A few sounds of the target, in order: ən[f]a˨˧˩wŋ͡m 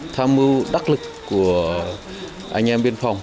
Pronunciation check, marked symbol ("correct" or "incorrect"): correct